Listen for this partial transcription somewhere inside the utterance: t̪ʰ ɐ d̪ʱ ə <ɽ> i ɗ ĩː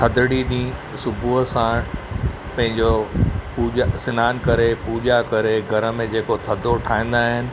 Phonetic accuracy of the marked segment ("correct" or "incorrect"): correct